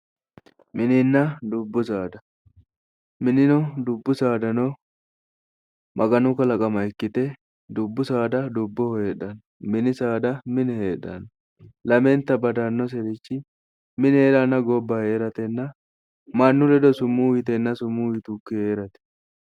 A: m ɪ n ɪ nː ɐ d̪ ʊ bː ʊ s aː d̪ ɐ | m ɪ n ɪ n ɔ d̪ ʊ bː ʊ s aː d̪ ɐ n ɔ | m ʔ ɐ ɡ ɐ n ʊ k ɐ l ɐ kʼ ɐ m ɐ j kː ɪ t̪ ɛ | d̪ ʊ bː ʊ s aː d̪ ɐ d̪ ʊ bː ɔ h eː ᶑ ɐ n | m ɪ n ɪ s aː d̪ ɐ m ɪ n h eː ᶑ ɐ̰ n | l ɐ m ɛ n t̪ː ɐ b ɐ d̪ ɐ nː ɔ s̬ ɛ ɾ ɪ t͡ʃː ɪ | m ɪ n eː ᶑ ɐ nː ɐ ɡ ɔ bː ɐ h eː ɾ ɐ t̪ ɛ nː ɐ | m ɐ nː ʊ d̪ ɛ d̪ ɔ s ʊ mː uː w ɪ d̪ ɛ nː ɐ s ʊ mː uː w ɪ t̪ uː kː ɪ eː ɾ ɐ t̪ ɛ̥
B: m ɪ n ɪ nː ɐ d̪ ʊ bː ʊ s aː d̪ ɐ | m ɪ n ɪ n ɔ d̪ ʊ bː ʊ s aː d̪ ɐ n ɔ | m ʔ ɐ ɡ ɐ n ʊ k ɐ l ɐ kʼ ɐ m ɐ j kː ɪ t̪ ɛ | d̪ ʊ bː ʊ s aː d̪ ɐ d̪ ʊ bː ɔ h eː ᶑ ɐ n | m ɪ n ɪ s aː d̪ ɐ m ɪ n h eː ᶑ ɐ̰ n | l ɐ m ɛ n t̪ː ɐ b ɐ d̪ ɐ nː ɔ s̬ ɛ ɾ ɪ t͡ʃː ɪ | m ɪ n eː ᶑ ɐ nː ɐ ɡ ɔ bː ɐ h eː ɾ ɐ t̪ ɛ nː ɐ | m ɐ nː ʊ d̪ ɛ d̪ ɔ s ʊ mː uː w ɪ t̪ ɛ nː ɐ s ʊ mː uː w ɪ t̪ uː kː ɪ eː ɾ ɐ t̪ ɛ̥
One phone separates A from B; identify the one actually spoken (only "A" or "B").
B